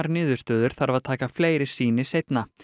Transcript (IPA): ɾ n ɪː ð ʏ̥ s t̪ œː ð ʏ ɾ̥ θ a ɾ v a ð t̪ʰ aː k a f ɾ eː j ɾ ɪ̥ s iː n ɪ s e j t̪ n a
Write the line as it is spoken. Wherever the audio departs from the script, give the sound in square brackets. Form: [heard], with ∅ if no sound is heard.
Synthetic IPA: ɾ n ɪː ð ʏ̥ s t̪ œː ð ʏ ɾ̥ θ a ɾ v a ð t̪ʰ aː k a f [l] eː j ɾ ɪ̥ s iː n ɪ s e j t̪ n a